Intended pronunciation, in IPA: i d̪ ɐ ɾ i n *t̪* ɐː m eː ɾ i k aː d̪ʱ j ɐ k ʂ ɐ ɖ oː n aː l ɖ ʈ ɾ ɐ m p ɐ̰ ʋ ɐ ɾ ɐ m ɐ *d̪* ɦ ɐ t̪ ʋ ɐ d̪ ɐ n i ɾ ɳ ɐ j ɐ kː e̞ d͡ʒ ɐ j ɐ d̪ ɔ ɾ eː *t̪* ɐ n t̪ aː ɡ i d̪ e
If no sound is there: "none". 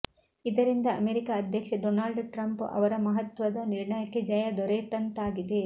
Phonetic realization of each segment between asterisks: d̪, none, t̪

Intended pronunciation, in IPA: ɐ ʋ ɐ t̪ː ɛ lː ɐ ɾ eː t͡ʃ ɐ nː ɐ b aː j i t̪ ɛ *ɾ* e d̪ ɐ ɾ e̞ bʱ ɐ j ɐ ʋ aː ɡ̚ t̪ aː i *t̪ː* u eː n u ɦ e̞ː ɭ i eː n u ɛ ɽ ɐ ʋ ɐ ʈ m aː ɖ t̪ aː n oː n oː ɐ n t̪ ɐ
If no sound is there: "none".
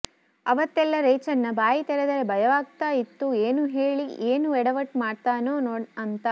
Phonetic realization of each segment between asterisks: ɾ, t̪ː

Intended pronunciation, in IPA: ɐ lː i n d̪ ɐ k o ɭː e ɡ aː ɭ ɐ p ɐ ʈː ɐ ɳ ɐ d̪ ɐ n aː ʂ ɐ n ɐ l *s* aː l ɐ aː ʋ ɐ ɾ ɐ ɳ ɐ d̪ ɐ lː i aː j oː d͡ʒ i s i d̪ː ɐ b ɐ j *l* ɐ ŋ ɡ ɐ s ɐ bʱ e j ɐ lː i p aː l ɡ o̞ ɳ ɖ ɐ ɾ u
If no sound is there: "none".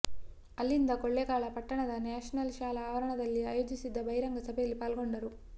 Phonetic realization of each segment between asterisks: ʃ, ɾ

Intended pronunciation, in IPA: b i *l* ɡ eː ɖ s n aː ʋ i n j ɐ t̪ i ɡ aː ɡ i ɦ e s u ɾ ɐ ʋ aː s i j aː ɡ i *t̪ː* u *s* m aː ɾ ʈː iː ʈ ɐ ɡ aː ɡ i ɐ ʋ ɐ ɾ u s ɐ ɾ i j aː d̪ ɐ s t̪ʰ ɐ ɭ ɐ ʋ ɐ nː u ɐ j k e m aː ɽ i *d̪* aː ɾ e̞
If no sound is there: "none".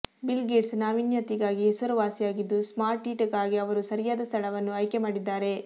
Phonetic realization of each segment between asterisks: l, d̪ː, s, d̪ː

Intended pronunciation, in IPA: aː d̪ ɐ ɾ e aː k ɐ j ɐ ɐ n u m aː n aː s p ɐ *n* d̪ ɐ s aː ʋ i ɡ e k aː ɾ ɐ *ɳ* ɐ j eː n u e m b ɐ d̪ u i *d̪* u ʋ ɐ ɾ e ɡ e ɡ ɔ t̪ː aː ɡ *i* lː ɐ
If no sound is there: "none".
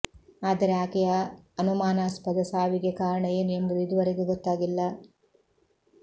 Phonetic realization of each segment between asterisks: none, ɳ, d̪, i

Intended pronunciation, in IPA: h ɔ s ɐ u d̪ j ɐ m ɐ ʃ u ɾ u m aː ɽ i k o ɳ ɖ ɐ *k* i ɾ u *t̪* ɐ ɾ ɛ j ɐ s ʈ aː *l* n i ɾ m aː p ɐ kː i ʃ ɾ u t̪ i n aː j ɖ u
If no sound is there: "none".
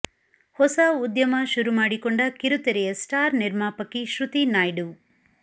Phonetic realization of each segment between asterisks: k, t̪, ɾ

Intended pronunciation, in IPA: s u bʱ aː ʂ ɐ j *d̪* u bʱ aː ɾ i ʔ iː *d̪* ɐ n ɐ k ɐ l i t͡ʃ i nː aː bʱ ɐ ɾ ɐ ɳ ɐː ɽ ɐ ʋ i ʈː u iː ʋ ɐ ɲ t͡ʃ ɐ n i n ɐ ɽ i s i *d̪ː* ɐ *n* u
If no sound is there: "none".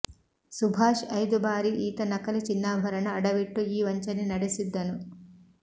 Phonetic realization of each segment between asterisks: d̪, t̪, d̪ː, n

